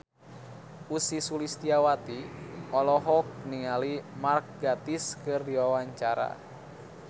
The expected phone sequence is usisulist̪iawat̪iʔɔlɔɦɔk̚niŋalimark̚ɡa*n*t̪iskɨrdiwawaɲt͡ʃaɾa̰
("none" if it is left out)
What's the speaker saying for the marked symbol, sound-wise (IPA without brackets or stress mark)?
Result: none